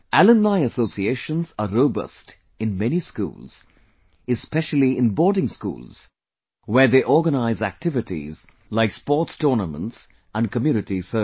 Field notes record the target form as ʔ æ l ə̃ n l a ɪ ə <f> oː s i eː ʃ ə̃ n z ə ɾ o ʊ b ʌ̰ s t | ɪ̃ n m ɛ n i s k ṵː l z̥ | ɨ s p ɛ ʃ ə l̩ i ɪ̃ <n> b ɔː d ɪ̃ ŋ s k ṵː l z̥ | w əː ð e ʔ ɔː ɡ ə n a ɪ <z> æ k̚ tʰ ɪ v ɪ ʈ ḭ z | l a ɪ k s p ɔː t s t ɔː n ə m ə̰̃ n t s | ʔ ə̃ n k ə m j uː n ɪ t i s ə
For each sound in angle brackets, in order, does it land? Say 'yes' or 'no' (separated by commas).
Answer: no, yes, yes